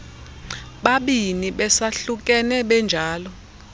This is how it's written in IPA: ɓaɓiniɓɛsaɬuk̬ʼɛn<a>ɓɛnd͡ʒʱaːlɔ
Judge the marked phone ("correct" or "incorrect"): incorrect